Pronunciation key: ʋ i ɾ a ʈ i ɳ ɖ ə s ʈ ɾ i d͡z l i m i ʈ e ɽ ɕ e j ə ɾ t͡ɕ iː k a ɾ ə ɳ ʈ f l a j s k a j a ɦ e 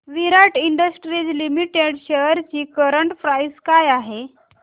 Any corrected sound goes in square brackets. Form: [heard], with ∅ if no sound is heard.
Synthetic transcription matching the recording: ʋ i ɾ a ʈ i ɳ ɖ ə s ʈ ɾ i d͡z l i m i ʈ e ɽ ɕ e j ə ɾ t͡ɕ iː k [ə] ɾ ə ɳ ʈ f [ɾ] a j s k a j a ɦ e